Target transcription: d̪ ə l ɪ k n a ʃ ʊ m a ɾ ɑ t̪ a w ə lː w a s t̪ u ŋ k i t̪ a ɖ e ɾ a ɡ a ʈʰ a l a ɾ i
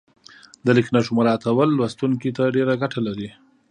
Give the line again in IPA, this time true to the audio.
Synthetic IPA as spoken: d̪ ə l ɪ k n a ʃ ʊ m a ɾ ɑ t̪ a w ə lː w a s t̪ u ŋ k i t̪ a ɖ e ɾ a ɡ a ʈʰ a l a ɾ i